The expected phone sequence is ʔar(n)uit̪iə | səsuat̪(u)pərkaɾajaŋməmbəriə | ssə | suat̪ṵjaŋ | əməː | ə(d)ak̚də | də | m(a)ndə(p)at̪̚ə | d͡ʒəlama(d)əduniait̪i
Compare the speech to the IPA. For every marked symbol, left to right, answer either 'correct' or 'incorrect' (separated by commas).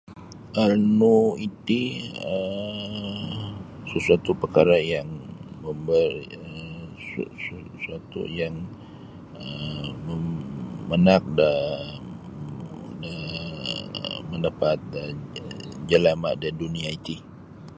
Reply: correct, correct, incorrect, incorrect, correct, correct